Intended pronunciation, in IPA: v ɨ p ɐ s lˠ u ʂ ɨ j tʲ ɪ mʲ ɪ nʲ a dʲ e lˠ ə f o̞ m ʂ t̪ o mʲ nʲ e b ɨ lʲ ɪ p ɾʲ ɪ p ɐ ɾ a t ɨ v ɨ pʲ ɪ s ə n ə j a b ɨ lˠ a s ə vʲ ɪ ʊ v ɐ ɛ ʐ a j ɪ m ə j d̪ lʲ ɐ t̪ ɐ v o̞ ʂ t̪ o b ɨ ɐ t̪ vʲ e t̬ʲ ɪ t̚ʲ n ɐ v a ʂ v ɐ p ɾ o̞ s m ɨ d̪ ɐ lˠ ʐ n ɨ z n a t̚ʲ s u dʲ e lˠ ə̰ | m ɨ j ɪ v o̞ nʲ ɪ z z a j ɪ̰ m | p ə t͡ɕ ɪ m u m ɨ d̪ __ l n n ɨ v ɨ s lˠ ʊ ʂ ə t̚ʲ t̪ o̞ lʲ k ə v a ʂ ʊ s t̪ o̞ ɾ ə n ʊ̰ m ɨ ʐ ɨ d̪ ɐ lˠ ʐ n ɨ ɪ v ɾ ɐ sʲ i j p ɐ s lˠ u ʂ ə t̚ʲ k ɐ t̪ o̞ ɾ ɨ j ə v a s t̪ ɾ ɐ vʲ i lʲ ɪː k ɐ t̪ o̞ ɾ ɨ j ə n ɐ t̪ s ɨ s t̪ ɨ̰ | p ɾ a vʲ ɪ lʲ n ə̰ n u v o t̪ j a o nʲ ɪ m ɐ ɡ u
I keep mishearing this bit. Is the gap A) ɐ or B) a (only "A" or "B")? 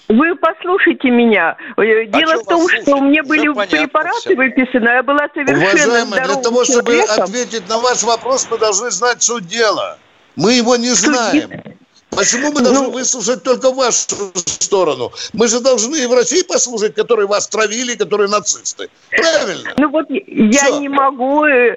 A